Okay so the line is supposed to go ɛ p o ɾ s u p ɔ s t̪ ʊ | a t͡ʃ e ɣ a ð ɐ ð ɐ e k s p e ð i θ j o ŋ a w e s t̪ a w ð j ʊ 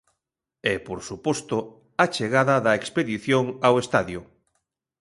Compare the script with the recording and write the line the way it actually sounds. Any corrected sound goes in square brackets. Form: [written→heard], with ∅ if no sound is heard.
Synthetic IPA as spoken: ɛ p o ɾ s u p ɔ s t̪ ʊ | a t͡ʃ e ɣ a ð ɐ ð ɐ e k s p e ð i θ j o ŋ a w e s t̪ a [w→∅] ð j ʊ